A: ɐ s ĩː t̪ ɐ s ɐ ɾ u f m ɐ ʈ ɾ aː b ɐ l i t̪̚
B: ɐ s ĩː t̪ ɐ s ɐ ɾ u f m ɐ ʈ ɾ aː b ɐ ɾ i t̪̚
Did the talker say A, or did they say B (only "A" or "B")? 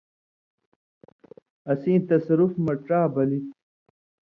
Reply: A